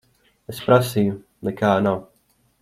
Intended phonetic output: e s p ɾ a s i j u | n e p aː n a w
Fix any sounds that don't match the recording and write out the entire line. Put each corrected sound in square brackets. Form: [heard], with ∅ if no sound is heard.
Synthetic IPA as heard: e s p ɾ a s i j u | n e [k] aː n a w